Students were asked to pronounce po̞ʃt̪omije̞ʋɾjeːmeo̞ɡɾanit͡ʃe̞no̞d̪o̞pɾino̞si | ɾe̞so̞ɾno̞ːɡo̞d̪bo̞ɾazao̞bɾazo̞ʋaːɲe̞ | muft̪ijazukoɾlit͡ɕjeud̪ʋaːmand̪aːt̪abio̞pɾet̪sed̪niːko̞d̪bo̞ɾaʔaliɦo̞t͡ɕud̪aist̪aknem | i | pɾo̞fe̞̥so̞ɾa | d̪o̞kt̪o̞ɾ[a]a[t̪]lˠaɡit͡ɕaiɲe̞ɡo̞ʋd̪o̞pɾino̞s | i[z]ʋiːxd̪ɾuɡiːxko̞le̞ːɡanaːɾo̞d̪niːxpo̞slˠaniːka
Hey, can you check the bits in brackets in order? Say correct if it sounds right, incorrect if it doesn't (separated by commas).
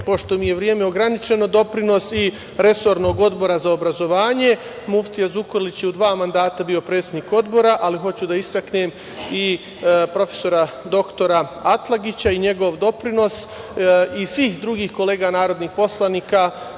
correct, correct, incorrect